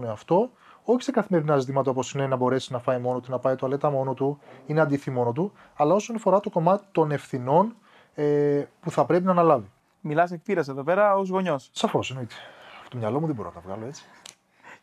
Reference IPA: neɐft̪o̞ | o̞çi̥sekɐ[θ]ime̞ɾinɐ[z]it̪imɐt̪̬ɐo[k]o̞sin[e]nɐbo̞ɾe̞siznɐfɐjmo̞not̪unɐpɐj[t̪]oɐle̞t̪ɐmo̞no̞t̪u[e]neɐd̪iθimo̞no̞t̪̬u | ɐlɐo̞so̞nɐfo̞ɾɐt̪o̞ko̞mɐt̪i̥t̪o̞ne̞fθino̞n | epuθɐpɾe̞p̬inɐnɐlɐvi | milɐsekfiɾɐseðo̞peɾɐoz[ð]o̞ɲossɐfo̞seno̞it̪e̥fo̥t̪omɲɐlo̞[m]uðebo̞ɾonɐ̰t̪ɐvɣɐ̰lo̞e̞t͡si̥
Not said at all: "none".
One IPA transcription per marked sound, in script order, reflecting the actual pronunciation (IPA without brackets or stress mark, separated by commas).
θ, z, p, e, t̪, i, ɣ, m